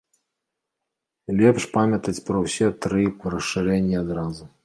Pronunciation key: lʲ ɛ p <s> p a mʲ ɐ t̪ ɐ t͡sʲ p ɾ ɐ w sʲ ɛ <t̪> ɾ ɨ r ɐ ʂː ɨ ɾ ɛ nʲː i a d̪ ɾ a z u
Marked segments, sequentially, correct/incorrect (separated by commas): incorrect, correct